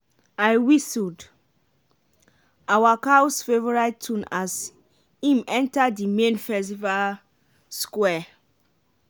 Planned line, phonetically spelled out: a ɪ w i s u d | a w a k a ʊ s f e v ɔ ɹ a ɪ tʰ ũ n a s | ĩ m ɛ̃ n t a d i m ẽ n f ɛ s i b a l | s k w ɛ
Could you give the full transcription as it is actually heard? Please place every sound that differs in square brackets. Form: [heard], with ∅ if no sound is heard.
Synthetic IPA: a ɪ w i s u d | a w a k a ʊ s f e v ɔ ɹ a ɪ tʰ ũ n a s | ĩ m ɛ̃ n t a d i m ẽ n f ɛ s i [v] a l | s k w ɛ